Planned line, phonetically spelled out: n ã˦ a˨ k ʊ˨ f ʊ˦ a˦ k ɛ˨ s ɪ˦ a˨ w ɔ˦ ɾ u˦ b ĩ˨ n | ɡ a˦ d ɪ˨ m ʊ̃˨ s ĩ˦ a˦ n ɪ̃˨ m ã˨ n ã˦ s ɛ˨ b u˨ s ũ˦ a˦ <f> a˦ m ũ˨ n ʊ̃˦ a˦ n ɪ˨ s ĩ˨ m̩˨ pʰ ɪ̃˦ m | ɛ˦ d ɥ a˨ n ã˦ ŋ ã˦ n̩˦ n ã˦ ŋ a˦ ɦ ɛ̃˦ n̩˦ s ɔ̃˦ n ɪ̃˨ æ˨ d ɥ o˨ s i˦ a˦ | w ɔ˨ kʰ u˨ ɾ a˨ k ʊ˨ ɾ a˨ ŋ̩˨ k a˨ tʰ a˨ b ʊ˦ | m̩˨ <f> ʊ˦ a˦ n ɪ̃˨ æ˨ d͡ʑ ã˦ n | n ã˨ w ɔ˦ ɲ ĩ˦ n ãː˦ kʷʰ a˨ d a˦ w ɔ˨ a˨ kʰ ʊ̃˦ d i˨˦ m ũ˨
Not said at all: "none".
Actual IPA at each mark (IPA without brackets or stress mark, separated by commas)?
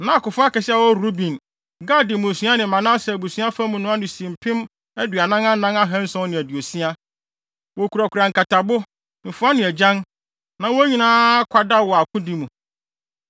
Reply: f, f